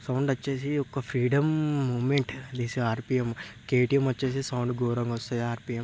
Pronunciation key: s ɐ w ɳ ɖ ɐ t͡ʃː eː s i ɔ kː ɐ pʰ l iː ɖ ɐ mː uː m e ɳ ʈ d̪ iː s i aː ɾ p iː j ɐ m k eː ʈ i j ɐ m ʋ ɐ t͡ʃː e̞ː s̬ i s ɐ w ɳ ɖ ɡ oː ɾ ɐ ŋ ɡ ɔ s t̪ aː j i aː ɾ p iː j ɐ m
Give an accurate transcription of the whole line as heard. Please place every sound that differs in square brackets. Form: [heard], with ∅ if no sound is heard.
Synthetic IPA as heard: s ɐ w ɳ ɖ ɐ t͡ʃː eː s i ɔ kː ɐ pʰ [ɾ] iː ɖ ɐ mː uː m e ɳ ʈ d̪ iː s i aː ɾ p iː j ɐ m k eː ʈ i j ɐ m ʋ ɐ t͡ʃː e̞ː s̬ i s ɐ w ɳ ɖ ɡ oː ɾ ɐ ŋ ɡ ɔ s t̪ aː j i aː ɾ p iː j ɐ m